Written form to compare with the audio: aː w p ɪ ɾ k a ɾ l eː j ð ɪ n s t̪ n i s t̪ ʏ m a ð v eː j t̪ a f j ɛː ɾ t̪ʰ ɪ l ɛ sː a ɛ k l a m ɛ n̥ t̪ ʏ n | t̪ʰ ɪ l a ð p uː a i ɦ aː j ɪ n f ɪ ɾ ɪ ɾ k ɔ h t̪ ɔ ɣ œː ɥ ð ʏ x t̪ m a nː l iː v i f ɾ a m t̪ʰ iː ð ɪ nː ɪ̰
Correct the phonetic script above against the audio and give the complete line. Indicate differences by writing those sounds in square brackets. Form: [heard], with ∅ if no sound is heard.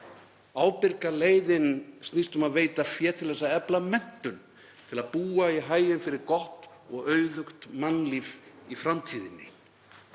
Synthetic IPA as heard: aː w p ɪ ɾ k a [∅] l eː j ð ɪ n s t̪ n i s t̪ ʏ m a ð v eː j t̪ a f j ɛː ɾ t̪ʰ ɪ l ɛ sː a ɛ [p] l a m ɛ n̥ t̪ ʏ n | t̪ʰ ɪ l a ð p uː a i ɦ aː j ɪ n f ɪ ɾ ɪ ɾ k ɔ h t̪ ɔ ɣ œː ɥ ð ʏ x t̪ m a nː l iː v i f ɾ a m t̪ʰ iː ð ɪ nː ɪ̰